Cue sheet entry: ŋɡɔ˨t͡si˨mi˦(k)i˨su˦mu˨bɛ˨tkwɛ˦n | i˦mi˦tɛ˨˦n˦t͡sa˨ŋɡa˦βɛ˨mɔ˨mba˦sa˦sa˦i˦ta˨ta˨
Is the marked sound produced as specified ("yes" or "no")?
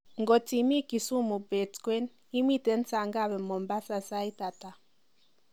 yes